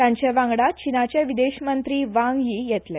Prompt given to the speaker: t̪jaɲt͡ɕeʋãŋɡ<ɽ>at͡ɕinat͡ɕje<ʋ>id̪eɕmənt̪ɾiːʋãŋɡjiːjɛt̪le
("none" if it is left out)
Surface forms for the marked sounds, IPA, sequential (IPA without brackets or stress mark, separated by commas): ɽ, ʋ